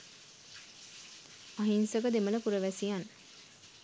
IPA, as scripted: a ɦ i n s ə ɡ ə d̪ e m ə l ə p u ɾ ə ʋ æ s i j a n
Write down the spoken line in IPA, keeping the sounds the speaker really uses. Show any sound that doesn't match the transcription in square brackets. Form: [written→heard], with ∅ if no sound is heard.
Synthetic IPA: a ɦ i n s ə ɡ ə d̪ e m ə l ə p u ɾ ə ʋ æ s i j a n